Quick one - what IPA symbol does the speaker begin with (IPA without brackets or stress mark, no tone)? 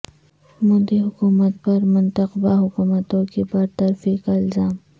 m